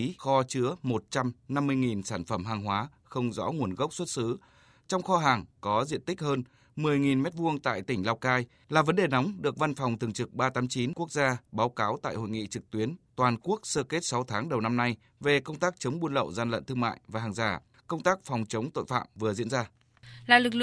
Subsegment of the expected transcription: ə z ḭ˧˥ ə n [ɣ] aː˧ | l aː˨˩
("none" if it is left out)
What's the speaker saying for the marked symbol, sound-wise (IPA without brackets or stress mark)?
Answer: z